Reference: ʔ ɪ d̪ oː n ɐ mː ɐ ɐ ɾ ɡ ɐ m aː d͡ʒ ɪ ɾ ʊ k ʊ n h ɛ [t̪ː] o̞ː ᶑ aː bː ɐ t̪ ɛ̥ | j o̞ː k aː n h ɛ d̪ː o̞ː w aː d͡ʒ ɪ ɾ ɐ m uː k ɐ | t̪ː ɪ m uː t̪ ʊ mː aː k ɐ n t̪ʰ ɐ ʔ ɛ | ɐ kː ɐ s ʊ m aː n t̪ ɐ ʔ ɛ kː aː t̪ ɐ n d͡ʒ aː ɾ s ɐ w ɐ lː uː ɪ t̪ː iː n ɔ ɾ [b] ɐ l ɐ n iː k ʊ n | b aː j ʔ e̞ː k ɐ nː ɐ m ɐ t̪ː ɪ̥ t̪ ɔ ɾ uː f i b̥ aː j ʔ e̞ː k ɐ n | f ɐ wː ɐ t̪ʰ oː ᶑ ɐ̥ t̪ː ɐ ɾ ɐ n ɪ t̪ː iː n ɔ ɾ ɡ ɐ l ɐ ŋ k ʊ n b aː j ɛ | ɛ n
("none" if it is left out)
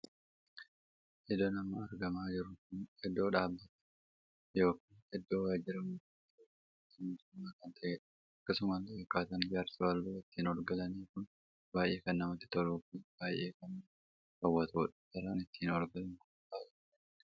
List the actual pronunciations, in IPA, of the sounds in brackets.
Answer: d̪ː, ɡ

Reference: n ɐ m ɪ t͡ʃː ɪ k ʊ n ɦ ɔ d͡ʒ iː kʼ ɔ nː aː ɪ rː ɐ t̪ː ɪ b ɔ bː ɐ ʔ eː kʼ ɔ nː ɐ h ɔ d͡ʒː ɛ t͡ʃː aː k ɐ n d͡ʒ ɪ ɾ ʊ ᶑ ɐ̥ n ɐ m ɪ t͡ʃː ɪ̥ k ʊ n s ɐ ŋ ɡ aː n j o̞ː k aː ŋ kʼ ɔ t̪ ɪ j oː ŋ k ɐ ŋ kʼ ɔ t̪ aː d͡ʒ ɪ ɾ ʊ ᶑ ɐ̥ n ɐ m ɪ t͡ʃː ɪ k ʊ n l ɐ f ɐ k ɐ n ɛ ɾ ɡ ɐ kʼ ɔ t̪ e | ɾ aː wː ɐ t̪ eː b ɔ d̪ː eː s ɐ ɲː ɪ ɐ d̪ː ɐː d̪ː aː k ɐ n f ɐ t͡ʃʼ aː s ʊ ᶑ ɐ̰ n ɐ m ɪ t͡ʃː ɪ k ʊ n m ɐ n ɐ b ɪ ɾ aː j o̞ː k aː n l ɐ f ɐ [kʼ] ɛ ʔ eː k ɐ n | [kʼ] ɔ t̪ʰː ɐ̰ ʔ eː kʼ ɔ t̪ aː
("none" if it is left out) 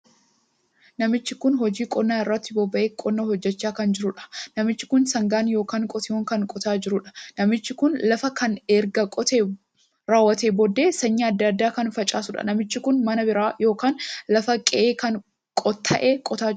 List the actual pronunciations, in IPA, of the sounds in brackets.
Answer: kʼ, kʼ

